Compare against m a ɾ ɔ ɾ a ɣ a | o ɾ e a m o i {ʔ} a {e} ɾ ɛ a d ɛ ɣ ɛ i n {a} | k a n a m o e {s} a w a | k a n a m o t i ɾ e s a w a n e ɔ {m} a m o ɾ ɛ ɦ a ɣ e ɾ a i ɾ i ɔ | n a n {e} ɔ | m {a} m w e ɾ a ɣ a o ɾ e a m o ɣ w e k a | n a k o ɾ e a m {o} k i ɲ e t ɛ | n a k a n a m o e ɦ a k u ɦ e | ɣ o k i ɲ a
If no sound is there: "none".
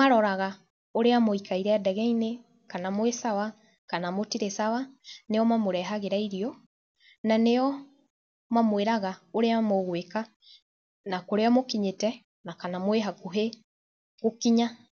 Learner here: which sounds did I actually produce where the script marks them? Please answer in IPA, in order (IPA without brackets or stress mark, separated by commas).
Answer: k, i, e, s, m, e, a, o